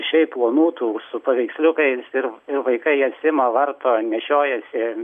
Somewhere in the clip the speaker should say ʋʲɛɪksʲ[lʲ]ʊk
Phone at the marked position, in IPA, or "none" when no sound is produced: lʲ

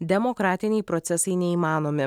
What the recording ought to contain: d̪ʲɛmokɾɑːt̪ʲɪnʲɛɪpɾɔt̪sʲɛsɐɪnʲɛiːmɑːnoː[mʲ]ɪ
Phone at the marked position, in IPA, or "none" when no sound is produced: mʲ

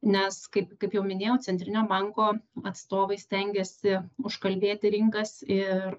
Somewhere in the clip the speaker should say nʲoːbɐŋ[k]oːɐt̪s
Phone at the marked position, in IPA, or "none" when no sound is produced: k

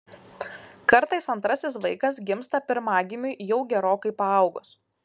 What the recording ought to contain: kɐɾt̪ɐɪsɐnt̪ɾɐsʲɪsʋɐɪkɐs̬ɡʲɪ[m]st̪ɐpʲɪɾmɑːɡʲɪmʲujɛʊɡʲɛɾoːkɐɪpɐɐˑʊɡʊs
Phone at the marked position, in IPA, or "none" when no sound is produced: m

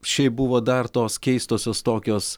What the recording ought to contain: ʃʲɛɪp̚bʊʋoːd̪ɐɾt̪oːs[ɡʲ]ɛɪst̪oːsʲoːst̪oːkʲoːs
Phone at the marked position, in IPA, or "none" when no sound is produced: kʲ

